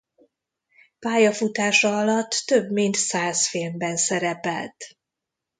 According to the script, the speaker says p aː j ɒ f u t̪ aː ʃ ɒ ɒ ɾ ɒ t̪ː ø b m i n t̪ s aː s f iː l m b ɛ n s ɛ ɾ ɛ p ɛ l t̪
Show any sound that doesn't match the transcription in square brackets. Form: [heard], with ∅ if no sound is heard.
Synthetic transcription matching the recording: p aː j ɒ f u t̪ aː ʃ ɒ ɒ [l] ɒ t̪ː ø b m i n t̪ s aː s f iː l m b ɛ n s ɛ ɾ ɛ p ɛ l t̪